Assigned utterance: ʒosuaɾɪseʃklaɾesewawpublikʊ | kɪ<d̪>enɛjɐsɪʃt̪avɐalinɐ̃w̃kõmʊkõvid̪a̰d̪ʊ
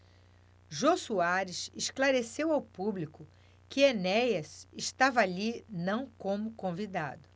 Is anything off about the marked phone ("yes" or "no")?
yes